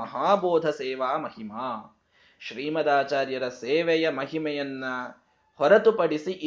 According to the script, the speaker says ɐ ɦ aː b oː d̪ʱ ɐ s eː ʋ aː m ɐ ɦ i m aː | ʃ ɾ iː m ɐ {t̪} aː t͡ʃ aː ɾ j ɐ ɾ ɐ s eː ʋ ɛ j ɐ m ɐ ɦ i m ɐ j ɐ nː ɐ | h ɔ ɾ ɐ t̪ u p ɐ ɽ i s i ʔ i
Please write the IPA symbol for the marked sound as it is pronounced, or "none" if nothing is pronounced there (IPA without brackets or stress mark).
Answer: d̪